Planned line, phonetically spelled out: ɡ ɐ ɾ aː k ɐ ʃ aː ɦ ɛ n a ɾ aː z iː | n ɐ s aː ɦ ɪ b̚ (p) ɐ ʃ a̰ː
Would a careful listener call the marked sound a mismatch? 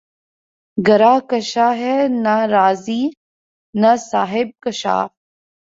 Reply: yes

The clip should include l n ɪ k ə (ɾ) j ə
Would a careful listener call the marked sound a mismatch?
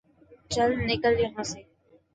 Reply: yes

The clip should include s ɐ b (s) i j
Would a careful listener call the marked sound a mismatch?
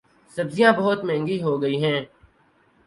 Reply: yes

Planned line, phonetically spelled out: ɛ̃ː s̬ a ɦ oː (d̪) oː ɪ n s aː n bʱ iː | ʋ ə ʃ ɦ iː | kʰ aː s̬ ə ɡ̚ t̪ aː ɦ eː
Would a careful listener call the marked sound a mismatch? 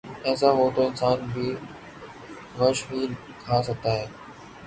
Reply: yes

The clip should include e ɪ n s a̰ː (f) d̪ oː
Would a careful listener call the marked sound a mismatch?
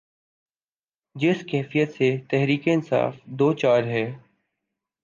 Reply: no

